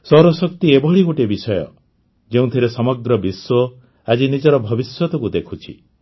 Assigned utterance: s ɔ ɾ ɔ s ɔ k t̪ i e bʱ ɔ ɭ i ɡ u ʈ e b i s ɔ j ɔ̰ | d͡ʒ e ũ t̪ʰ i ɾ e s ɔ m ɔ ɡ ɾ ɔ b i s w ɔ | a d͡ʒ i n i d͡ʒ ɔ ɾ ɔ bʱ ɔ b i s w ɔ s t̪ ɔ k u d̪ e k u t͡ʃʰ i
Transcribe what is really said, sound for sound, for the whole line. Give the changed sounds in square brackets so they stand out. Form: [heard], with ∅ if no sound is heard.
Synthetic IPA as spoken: s ɔ ɾ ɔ s ɔ k t̪ i e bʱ ɔ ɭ i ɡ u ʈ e b i s ɔ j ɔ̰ | d͡ʒ e ũ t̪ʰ i ɾ e s ɔ m ɔ ɡ ɾ ɔ b i s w ɔ | a d͡ʒ i n i d͡ʒ ɔ ɾ ɔ bʱ ɔ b i s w ɔ [∅] t̪ ɔ k u d̪ e [kʰ] u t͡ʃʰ i

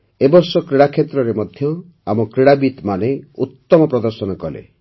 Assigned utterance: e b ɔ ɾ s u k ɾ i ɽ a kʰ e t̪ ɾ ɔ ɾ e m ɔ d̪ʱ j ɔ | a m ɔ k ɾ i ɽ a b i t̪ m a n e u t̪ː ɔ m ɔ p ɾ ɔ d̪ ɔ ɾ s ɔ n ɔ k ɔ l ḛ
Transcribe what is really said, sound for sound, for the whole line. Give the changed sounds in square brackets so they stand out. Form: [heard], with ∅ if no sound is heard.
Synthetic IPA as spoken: e b ɔ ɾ s [ɔ] k ɾ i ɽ a kʰ e t̪ ɾ ɔ ɾ e m ɔ d̪ʱ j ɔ | a m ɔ k ɾ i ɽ a b i t̪ m a n e u t̪ː ɔ m ɔ p ɾ ɔ d̪ ɔ ɾ s ɔ n ɔ k ɔ l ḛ

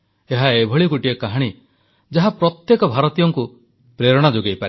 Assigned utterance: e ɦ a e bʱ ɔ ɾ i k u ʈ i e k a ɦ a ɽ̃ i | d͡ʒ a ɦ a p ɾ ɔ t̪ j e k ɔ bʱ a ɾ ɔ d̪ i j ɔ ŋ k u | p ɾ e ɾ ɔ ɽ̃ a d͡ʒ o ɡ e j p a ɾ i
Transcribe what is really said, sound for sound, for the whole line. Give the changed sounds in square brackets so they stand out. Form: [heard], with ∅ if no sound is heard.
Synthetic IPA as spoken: e ɦ a e bʱ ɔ [ɭ] i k u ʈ i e k a ɦ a ɽ̃ i | d͡ʒ a ɦ a p ɾ ɔ t̪ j e k ɔ bʱ a ɾ ɔ [t̪] i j ɔ ŋ k u | p ɾ e ɾ ɔ ɽ̃ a d͡ʒ o ɡ e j p a ɾ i

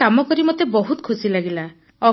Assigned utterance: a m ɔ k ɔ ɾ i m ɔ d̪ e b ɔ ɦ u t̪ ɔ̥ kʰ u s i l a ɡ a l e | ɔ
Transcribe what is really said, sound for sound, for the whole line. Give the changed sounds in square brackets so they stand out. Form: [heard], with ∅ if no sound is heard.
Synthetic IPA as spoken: a m ɔ k ɔ ɾ i m ɔ [t̪] e b ɔ ɦ u t̪ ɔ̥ kʰ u s i l a ɡ [i] l [a] | ɔ

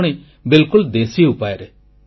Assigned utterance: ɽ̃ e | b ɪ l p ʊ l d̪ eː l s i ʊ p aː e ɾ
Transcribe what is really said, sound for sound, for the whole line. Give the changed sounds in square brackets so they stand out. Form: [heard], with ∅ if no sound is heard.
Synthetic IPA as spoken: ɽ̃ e | b ɪ l [k] ʊ l d̪ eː [∅] s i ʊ p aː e ɾ

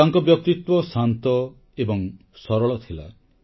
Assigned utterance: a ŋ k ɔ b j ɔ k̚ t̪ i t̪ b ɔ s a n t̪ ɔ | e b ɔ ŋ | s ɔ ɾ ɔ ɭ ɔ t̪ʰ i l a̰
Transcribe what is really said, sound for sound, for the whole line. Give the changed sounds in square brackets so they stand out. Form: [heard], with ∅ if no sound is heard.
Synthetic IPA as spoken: a ŋ k ɔ b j ɔ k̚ t̪ i t̪ [w] ɔ s a n t̪ ɔ | e b ɔ ŋ | s ɔ ɾ ɔ ɭ ɔ t̪ʰ i l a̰

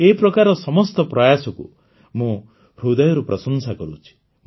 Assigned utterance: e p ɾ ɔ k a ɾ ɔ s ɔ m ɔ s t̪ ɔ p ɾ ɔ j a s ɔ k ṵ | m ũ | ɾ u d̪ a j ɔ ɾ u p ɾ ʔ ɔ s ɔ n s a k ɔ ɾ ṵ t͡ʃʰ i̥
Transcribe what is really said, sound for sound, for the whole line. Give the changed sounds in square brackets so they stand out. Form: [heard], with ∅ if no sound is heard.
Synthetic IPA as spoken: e p ɾ ɔ k a ɾ ɔ s ɔ m ɔ s t̪ ɔ p ɾ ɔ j a s ɔ k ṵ | m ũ | ɾ u d̪ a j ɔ ɾ u p ɾ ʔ ɔ s ɔ n s a k ɔ ɾ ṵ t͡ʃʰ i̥

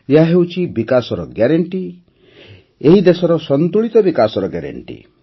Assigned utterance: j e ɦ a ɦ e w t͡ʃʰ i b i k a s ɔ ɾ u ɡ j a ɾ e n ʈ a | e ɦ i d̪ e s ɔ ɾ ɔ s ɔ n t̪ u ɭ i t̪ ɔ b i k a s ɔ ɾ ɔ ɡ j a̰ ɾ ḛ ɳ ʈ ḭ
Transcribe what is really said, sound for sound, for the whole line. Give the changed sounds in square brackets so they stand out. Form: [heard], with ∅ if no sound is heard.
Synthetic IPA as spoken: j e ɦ a ɦ e w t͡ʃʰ i b i k a s ɔ ɾ [ɔ] ɡ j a ɾ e [ɳ] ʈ [i] | e ɦ i d̪ e s ɔ ɾ ɔ s ɔ n t̪ u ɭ i t̪ ɔ b i k a s ɔ ɾ ɔ ɡ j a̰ ɾ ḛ ɳ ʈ ḭ

